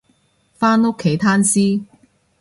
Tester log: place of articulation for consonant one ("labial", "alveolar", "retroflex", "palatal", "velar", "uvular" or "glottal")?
labial